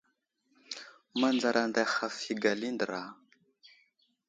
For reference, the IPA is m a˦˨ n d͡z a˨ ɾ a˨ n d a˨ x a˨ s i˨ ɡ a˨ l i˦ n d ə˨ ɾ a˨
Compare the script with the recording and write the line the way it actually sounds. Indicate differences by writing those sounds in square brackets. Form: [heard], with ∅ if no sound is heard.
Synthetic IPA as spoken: m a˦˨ n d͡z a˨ ɾ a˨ n d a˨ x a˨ [f] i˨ ɡ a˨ l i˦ n d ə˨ ɾ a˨